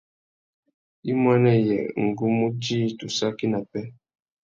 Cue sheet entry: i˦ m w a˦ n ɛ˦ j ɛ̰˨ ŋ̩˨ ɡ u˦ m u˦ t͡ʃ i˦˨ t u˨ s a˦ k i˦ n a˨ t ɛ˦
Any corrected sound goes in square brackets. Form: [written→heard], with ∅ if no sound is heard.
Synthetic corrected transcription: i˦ m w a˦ n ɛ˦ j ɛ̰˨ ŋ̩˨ ɡ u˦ m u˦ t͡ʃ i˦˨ t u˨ s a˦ k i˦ n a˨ [t→p] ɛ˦